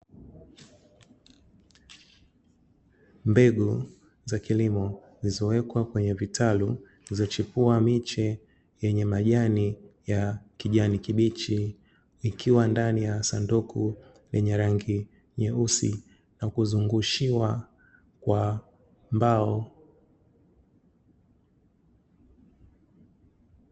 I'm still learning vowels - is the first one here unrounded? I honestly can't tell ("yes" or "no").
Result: yes